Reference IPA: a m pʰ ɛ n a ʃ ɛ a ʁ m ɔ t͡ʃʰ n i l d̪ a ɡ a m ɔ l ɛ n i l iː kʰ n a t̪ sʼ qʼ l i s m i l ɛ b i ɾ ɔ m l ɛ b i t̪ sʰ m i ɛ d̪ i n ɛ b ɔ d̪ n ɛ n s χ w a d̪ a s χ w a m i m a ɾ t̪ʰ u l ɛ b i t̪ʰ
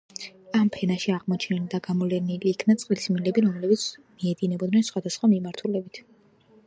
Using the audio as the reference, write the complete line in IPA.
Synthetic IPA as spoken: a m pʰ ɛ n a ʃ i a ʁ m ɔ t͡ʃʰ n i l d̪ a ɡ a m ɔ l ɛ n i l iː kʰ n a t̪ sʼ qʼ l i s m i l ɛ b i ɾ ɔ m l ɛ b i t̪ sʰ m i ɛ d̪ i n ɛ b ɔ d̪ n ɛ n s χ w a d̪ a s χ w a m i m a ɾ t̪ʰ u l ɛ b i t̪ʰ